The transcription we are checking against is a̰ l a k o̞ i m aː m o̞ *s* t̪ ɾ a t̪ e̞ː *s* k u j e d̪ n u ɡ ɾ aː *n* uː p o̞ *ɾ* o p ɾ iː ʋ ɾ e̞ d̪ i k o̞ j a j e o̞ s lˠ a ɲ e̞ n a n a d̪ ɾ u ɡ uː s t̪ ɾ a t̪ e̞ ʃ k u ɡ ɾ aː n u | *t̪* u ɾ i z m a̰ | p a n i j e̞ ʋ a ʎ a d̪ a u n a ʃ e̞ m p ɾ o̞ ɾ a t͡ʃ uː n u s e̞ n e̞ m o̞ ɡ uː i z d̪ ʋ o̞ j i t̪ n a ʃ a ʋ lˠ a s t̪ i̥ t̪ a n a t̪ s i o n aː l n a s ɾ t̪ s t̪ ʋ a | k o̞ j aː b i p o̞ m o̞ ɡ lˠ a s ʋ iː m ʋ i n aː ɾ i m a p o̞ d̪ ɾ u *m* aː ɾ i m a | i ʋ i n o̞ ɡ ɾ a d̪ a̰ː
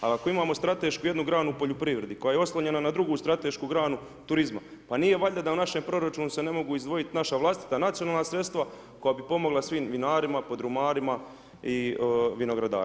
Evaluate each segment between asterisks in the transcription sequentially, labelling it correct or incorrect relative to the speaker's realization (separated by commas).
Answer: correct, incorrect, correct, incorrect, correct, correct